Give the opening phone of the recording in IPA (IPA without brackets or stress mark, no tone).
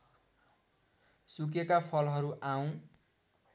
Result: s